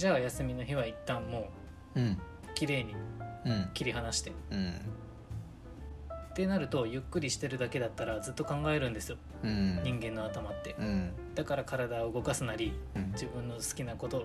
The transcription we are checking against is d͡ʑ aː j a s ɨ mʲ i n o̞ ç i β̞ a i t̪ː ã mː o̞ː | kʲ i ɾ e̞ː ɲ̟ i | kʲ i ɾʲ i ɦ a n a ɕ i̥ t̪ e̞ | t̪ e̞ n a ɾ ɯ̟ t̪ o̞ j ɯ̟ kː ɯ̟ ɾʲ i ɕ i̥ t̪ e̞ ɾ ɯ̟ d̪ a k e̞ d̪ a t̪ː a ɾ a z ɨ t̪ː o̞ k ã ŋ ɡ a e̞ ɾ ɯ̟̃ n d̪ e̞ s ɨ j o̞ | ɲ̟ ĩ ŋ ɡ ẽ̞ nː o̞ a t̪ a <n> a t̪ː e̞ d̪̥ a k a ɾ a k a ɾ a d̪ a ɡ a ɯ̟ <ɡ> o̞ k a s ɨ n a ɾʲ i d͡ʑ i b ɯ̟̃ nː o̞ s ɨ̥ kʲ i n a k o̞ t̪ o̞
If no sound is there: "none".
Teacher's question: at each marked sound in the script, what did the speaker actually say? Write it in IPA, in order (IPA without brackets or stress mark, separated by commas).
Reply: m, ɡ